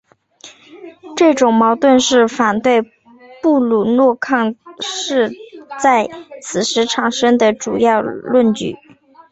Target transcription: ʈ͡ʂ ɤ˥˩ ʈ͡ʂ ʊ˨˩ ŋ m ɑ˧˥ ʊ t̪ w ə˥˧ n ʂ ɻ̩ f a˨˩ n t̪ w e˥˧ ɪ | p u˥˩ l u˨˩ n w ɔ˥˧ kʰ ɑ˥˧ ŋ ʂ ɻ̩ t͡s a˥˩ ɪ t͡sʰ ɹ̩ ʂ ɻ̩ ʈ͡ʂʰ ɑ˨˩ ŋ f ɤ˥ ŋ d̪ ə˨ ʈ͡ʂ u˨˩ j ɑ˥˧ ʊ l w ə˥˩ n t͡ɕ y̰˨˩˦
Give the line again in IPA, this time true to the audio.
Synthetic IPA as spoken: ʈ͡ʂ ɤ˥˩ ʈ͡ʂ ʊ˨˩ ŋ m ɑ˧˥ ʊ t̪ w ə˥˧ n ʂ ɻ̩ f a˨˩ n t̪ w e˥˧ ɪ | p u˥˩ l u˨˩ n w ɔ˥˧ kʰ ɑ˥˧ ŋ ʂ ɻ̩ t͡s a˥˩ ɪ t͡sʰ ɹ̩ ʂ ɻ̩ ʈ͡ʂʰ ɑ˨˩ ŋ ʂ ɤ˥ ŋ d̪ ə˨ ʈ͡ʂ u˨˩ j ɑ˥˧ ʊ l w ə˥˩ n t͡ɕ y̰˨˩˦

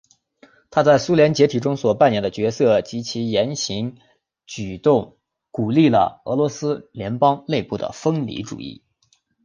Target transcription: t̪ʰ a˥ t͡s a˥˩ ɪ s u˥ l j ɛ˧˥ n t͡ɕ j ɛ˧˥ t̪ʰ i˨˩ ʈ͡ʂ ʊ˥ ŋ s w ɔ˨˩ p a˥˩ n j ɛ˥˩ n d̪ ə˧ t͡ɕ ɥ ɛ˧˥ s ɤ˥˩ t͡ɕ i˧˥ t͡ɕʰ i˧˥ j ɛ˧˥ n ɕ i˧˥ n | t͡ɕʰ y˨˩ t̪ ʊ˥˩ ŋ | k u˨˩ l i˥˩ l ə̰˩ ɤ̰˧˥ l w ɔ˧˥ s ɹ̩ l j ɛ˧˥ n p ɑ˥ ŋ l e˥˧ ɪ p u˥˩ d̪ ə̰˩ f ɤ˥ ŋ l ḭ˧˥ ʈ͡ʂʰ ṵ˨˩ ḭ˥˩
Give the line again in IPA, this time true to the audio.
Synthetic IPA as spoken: t̪ʰ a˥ t͡s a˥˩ ɪ s u˥ l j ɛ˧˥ n t͡ɕ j ɛ˧˥ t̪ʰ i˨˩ ʈ͡ʂ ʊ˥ ŋ s w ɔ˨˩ p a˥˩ n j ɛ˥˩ n d̪ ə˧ t͡ɕ ɥ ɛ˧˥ s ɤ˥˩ t͡ɕ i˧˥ t͡ɕʰ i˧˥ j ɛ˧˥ n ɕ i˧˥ ŋ | t͡ɕ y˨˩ t̪ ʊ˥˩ ŋ | k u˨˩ l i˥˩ l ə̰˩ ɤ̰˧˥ l w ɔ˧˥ s ɹ̩ l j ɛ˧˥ n p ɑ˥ ŋ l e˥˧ ɪ p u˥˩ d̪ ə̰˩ f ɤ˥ ŋ l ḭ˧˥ ʈ͡ʂ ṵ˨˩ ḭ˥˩

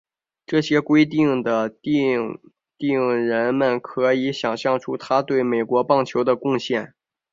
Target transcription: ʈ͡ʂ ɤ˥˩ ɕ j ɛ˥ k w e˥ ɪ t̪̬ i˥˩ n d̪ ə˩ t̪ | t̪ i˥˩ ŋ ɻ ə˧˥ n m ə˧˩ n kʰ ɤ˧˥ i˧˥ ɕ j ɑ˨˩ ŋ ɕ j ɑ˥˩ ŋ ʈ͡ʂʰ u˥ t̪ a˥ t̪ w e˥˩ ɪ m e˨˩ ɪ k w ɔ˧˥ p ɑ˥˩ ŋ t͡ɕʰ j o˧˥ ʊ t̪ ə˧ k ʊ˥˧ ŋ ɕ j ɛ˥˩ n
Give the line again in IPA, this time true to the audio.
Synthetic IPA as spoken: ʈ͡ʂ ɤ˥˩ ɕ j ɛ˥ k w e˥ ɪ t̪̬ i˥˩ ŋ d̪ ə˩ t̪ | t̪ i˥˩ ŋ ɻ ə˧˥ n m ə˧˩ n kʰ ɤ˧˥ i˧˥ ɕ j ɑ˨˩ ŋ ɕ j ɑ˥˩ ŋ ʈ͡ʂʰ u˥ t̪ʰ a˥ t̪ w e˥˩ ɪ m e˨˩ ɪ k w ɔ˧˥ p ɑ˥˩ ŋ t͡ɕʰ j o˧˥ ʊ d̪ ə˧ k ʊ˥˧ ŋ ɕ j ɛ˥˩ n

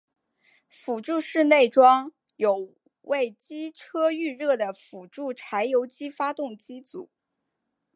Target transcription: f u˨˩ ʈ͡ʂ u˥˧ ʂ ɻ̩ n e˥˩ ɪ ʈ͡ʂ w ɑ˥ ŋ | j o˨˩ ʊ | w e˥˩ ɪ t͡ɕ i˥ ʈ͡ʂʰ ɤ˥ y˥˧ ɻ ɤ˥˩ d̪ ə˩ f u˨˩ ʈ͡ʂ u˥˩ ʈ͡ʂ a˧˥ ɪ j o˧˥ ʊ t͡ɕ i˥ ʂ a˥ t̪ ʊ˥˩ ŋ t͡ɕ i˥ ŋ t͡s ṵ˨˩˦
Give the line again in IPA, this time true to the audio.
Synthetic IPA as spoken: f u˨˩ ʈ͡ʂ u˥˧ ʂ ɻ̩ n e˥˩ ɪ ʈ͡ʂ w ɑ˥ ŋ | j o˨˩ ʊ | w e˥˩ ɪ t͡ɕ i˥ ʈ͡ʂʰ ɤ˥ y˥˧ ɻ ɤ˥˩ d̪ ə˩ f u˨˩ ʈ͡ʂ u˥˩ ʈ͡ʂʰ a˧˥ ɪ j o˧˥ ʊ t͡ɕ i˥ f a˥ t̪ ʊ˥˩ ŋ t͡ɕ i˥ t͡s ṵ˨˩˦

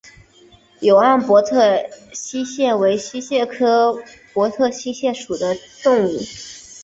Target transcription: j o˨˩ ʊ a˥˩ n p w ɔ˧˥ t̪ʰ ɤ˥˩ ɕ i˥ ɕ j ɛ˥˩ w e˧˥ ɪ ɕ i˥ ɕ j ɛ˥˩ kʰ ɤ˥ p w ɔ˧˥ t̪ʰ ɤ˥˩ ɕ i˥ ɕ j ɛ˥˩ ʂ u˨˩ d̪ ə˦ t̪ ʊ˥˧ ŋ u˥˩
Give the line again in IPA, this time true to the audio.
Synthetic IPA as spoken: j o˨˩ ʊ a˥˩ n p w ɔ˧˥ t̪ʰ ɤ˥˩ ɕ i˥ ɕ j ɛ˥˩ w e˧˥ ɪ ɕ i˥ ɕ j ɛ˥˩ kʰ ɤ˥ p w ɔ˧˥ t̪ʰ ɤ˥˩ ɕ i˥ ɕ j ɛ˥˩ ʂ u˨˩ d̪ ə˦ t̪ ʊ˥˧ ŋ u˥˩

